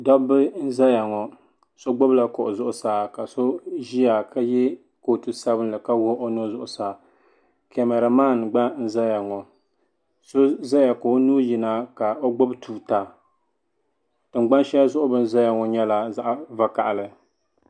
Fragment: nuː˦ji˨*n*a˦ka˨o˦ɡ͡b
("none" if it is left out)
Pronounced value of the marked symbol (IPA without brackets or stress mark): n